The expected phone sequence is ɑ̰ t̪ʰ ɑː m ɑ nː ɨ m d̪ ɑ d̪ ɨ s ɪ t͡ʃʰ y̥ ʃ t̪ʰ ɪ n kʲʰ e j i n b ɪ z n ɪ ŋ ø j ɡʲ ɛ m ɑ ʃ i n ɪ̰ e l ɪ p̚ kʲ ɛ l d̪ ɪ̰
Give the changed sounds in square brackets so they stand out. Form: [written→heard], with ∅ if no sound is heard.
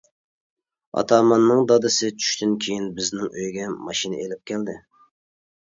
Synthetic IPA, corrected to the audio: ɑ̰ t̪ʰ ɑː m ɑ nː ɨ [m→ŋ] d̪ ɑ d̪ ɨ s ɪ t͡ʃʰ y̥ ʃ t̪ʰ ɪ n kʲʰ e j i n b ɪ z n ɪ ŋ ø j ɡʲ ɛ m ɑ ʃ i n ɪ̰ e l ɪ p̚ kʲ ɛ l d̪ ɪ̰